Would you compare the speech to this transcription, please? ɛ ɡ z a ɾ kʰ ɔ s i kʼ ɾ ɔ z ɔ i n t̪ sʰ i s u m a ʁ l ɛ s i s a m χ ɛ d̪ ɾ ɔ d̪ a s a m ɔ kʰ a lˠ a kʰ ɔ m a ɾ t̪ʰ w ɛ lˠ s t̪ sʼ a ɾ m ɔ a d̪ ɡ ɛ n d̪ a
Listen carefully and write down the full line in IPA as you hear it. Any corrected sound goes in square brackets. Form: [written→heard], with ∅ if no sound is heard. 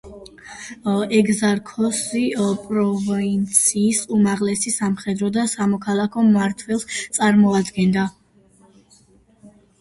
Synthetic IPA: ɛ ɡ z a ɾ kʰ ɔ s i [kʼ→pʼ] ɾ ɔ [z→v] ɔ i n t̪ sʰ [i→iː] s u m a ʁ l ɛ s i s a m χ ɛ d̪ ɾ ɔ d̪ a s a m ɔ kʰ a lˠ a kʰ ɔ m a ɾ t̪ʰ w ɛ lˠ s t̪ sʼ a ɾ m ɔ a d̪ ɡ ɛ n d̪ a